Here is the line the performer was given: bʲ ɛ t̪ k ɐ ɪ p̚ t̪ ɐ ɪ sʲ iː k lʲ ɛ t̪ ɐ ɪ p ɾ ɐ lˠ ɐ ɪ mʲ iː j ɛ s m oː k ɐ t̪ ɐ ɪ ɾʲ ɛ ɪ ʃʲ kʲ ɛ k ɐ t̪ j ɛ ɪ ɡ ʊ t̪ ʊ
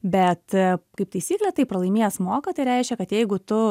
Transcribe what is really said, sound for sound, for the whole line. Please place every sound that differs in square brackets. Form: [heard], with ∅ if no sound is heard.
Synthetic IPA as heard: bʲ ɛ t̪ k ɐ ɪ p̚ t̪ ɐ ɪ sʲ iː k lʲ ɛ t̪ ɐ ɪ p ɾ ɐ lˠ ɐ ɪ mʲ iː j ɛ s m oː k ɐ t̪ ɐ ɪ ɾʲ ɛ ɪ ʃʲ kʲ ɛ k ɐ t̪ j ɛ ɪ ɡ ʊ t̪ ʊ